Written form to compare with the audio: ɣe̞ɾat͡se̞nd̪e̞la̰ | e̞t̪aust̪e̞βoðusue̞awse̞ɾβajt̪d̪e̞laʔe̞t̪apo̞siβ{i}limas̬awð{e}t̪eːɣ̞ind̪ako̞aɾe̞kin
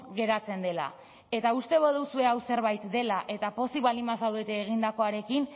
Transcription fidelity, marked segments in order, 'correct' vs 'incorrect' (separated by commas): incorrect, correct